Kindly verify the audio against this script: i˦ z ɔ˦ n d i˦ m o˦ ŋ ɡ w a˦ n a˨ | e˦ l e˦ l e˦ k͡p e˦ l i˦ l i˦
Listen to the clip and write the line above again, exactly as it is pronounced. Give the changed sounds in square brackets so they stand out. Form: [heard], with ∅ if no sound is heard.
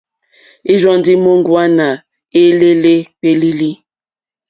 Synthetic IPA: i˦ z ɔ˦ n d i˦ m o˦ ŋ ɡ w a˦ n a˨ | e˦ l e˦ l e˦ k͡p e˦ l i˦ l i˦